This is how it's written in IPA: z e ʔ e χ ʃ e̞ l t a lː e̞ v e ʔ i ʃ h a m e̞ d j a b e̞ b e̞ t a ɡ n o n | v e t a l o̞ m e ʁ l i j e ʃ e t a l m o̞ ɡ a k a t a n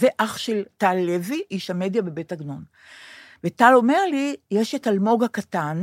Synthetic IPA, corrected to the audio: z e ʔ a χ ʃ e̞ l t a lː e̞ v i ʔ i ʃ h a m e̞ d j a b e̞ b e̞ t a ɡ n o n | v e t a l o̞ m e ʁ l i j e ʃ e t a l m o̞ ɡ a k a t a n